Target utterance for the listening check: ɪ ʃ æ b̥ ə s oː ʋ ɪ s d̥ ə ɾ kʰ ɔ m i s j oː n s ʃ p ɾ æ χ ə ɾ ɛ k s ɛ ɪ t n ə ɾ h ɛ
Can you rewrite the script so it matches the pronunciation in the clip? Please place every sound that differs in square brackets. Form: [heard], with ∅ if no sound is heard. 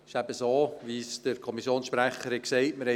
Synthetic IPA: ɪ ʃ æ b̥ ə s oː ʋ [i] s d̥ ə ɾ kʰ ɔ m i s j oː n s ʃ p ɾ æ χ ə ɾ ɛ k s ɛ ɪ t [m] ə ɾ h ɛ